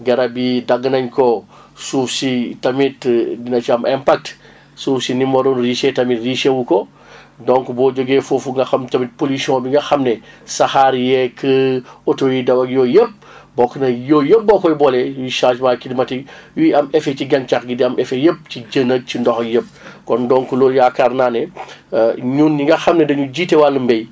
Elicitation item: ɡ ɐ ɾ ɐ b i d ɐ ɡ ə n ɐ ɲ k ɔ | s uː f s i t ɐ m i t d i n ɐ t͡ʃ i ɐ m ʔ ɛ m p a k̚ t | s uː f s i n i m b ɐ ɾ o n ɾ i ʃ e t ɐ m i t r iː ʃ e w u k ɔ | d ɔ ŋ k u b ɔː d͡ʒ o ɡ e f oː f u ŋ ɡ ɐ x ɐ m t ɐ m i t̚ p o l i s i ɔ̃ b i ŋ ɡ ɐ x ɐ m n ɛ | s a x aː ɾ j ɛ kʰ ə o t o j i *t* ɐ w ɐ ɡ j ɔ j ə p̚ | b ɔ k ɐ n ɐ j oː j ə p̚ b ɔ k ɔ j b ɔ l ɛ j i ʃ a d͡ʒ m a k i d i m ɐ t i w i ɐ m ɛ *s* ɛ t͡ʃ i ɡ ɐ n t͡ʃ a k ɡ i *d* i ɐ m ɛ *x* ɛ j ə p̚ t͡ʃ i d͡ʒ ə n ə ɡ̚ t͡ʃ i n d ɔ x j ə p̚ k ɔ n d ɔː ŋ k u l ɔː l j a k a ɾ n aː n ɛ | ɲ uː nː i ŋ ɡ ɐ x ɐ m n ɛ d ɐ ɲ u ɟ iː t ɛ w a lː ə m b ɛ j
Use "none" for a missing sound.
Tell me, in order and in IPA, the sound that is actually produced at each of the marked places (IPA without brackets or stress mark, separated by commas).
d, f, d, f